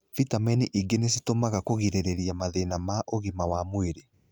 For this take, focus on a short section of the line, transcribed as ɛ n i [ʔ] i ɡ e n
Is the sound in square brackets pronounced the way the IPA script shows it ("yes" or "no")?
yes